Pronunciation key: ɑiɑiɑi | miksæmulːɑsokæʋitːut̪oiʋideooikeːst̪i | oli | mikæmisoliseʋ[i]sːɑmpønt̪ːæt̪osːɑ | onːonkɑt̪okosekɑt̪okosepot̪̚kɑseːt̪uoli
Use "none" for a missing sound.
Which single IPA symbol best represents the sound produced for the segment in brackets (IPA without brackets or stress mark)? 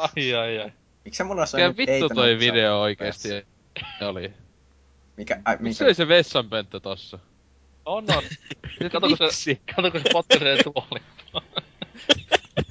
e